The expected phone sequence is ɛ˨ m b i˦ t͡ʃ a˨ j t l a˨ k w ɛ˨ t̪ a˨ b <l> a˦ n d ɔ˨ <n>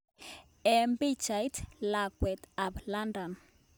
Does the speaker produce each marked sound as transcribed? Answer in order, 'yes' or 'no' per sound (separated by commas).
yes, yes